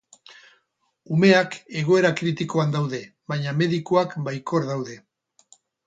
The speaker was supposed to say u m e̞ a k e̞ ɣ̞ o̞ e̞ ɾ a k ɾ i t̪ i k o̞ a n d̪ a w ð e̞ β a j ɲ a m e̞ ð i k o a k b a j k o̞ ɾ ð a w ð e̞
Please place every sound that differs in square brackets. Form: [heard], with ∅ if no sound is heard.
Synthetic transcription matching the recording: u m e̞ a k e̞ ɣ̞ o̞ e̞ ɾ a k ɾ i t̪ i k o̞ a n d̪ a w ð e̞ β a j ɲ a m e̞ ð i k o a k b a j k o̞ ɾ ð a w ð e̞